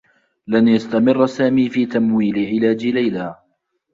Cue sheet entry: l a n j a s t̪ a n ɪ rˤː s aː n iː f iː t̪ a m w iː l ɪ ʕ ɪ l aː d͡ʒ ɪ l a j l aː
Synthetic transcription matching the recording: l a n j a s t̪ a m ɪ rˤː s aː m iː f iː t̪ a m w iː l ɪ ʕ ɪ l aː d͡ʒ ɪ l a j l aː